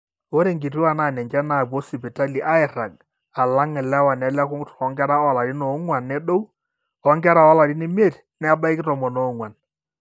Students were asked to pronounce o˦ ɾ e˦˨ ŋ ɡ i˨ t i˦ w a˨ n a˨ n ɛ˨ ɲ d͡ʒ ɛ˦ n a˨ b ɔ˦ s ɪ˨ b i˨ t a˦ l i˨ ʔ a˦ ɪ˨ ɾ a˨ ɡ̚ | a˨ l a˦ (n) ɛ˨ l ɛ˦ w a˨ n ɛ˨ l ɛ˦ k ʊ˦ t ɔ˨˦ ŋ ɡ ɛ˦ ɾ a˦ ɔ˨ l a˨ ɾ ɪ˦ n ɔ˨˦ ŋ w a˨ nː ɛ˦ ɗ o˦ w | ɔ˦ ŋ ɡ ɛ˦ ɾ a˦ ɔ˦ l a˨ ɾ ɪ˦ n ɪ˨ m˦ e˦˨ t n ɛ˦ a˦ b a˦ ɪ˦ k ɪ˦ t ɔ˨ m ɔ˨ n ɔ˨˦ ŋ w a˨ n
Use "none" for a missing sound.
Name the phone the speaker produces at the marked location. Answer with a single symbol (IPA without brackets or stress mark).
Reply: ŋ